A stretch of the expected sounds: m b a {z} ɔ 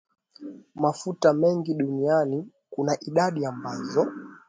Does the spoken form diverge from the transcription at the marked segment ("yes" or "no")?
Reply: no